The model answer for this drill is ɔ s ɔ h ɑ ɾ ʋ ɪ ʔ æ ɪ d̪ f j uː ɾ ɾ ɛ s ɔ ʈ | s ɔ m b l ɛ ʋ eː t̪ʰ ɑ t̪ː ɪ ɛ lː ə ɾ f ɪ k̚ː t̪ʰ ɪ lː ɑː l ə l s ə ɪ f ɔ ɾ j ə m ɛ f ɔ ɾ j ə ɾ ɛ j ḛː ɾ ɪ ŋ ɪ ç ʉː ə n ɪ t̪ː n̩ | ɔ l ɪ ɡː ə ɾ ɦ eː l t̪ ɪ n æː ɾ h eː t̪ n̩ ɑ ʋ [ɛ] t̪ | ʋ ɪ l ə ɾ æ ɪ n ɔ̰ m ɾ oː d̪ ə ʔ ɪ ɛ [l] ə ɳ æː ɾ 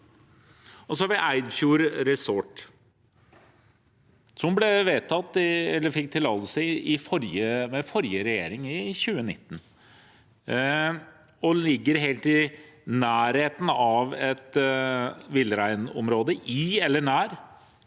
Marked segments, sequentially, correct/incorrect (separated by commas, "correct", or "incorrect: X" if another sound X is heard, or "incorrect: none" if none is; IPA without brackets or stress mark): correct, incorrect: lː